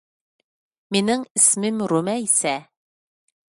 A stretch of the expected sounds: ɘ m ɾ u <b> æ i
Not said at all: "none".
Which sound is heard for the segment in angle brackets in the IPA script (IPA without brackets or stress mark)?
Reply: m